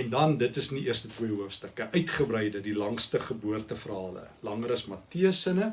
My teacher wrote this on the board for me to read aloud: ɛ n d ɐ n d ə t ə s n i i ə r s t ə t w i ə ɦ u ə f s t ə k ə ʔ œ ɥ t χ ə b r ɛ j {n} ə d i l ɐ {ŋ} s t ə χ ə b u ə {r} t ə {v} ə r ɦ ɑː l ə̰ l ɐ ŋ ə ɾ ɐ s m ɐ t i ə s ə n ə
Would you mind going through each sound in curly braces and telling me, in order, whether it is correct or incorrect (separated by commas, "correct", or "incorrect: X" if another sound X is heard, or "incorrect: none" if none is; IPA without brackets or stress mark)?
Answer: incorrect: d, correct, correct, incorrect: f